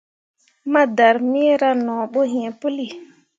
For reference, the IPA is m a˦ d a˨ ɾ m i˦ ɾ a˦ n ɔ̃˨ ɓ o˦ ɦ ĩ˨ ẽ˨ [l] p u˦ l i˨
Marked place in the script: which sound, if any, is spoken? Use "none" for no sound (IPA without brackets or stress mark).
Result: none